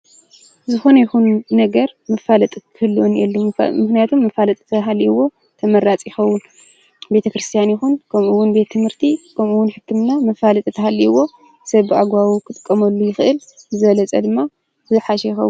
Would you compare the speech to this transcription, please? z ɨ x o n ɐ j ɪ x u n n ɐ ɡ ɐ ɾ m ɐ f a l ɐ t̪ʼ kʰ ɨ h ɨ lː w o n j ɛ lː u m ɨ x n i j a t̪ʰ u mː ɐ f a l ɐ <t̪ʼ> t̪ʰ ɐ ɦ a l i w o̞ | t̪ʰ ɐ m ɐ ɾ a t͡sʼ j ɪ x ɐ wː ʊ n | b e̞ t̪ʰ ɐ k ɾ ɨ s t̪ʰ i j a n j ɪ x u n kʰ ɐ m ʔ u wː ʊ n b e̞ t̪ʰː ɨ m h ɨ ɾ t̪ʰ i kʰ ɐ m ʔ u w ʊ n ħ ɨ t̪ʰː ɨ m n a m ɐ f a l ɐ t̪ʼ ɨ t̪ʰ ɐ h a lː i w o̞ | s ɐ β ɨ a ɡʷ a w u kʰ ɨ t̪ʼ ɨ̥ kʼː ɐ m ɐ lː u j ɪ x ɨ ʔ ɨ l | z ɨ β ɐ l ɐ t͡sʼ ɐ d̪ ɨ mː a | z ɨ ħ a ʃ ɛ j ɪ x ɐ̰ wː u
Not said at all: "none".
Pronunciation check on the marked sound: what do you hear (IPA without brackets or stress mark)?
t̪ʼ